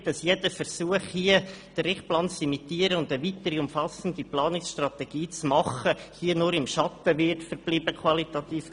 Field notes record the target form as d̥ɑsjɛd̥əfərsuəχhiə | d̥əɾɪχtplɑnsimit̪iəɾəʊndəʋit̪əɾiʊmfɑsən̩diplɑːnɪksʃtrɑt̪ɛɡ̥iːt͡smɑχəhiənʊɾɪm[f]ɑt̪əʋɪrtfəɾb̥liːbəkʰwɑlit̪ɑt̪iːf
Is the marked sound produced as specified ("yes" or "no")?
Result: no